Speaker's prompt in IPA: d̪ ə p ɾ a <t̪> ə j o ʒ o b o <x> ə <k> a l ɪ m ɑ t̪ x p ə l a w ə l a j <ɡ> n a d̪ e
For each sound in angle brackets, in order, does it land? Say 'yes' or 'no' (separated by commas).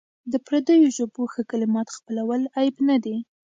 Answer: no, yes, yes, no